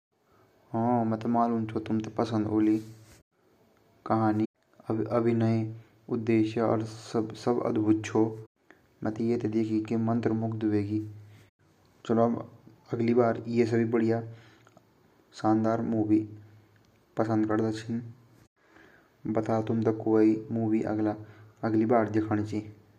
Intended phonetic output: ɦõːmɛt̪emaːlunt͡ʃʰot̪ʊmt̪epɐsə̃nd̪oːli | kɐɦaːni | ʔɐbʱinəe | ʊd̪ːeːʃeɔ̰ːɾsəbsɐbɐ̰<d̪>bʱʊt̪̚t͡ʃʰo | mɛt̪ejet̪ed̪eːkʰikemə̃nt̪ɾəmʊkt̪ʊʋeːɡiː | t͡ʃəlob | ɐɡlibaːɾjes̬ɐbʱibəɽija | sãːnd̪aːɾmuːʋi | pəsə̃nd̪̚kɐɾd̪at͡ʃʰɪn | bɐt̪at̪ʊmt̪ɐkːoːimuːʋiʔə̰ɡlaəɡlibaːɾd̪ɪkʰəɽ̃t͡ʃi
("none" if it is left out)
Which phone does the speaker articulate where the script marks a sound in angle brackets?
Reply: d̪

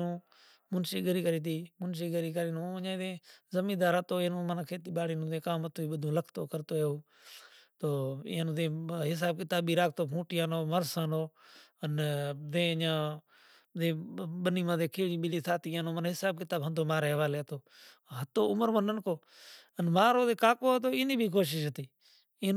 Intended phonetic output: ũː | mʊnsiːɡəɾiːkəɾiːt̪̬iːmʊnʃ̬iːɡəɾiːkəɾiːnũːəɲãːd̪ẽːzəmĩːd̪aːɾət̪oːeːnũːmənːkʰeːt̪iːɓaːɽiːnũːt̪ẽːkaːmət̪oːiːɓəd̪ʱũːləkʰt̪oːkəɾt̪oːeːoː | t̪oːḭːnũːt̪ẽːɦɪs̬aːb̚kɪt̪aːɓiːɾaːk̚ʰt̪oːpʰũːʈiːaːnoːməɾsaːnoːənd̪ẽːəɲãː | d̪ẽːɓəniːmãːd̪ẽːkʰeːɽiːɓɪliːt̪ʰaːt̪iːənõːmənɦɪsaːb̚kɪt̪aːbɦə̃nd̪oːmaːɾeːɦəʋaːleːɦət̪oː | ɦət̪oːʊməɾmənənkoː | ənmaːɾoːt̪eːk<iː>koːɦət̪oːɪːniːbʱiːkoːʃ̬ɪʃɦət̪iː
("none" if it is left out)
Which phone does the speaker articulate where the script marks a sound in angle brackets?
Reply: aː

